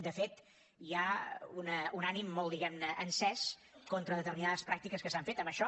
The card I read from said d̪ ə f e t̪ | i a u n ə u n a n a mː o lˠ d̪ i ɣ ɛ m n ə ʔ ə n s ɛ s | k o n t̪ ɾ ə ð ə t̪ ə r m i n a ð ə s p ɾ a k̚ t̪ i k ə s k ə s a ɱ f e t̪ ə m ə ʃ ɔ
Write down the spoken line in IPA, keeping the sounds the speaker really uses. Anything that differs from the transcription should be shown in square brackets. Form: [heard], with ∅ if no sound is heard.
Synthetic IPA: d̪ ə f e t̪ | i a u n ə u n a n [i] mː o lˠ d̪ i ɣ ɛ m n ə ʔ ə n s ɛ s | k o n t̪ ɾ ə ð ə t̪ ə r m i n a ð ə s p ɾ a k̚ t̪ i k ə s k ə s a ɱ f e t̪ ə m ə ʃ ɔ